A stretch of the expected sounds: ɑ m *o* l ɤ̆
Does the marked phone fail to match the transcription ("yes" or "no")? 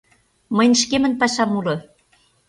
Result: yes